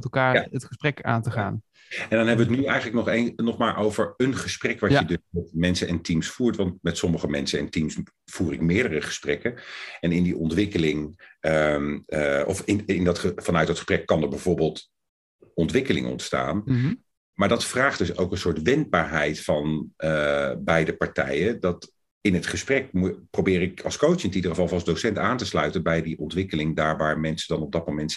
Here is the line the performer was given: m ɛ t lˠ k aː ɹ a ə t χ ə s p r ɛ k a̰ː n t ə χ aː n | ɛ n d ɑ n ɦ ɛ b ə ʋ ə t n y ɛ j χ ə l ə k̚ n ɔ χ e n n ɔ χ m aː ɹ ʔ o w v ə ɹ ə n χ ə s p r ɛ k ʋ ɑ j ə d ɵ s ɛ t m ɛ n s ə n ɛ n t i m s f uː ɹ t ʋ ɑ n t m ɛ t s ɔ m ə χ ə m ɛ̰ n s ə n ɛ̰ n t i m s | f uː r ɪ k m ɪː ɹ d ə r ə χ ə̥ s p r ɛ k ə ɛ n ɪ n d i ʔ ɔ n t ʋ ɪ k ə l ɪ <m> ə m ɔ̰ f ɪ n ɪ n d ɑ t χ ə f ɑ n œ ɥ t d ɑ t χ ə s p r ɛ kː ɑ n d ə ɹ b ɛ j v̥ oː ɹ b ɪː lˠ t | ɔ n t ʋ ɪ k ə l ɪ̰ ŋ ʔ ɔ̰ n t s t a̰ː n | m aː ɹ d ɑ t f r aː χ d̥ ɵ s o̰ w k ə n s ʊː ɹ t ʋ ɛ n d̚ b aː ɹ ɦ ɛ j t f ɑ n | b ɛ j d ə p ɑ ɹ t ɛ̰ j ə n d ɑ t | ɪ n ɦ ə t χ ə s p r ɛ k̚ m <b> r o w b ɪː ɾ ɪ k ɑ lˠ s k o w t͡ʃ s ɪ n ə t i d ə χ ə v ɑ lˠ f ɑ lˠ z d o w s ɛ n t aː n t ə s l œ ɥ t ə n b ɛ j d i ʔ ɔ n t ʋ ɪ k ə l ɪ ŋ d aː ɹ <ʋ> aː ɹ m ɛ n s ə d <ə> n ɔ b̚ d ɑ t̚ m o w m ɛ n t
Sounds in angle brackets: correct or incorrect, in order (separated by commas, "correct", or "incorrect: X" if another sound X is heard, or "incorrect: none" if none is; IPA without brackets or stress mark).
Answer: incorrect: ŋ, incorrect: p, correct, incorrect: ɑ